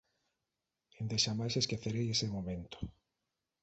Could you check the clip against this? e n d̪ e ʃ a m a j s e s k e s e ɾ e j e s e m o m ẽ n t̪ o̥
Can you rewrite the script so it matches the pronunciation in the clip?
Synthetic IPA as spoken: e n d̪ e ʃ a m a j s e s k e θ e ɾ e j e s e m o m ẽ n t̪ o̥